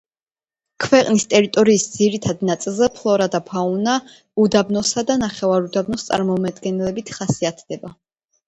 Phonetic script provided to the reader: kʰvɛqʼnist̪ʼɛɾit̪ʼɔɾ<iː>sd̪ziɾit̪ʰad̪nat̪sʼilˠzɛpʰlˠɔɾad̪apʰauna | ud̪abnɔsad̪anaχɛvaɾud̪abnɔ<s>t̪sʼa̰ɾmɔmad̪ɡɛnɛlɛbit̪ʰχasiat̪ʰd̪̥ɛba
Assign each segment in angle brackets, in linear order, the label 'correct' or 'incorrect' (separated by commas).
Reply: correct, correct